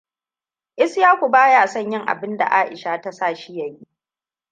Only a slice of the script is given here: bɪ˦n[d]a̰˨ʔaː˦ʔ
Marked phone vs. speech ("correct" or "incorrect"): correct